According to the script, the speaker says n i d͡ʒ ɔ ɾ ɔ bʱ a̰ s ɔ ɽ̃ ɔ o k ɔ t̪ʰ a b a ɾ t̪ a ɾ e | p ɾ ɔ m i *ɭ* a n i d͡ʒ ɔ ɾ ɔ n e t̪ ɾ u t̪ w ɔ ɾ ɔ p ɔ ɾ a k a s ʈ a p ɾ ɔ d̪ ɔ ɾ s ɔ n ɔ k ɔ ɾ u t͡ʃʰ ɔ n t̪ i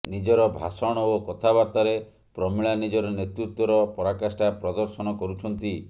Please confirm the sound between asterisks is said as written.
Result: yes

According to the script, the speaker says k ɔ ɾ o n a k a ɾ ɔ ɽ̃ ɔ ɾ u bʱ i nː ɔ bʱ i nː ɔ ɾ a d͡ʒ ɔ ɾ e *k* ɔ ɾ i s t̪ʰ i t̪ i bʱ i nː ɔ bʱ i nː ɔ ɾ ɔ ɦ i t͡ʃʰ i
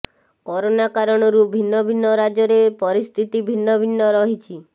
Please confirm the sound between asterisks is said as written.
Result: no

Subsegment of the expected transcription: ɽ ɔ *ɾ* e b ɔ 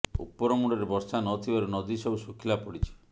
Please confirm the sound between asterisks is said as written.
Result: yes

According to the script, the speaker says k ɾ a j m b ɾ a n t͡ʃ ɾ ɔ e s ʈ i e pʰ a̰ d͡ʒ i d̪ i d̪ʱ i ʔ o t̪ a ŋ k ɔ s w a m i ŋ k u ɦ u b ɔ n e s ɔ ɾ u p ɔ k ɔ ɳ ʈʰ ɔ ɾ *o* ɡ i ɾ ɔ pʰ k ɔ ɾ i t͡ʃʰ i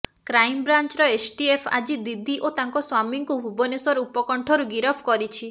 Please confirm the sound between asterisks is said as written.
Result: no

